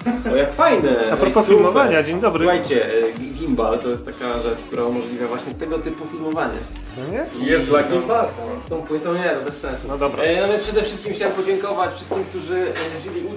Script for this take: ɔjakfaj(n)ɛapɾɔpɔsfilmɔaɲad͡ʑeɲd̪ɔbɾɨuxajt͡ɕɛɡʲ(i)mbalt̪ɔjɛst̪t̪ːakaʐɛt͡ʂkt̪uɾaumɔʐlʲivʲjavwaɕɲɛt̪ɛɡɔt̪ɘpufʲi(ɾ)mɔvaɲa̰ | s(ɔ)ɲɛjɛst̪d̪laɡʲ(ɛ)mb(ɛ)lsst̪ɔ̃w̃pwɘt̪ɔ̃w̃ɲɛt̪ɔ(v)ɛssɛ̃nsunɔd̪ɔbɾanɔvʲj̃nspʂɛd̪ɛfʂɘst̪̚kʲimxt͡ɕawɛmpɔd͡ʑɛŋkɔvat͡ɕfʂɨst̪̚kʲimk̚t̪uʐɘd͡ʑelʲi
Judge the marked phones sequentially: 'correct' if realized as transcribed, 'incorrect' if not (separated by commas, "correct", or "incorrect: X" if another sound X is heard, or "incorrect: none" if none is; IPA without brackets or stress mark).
correct, correct, incorrect: l, correct, incorrect: i, incorrect: a, incorrect: b